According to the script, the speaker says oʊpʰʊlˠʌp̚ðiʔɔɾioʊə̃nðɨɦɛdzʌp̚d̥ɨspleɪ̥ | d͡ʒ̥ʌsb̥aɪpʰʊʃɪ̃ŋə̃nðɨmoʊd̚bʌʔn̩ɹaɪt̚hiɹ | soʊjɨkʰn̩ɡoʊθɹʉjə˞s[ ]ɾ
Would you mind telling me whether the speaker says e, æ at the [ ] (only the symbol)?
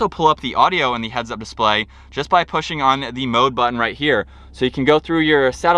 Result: æ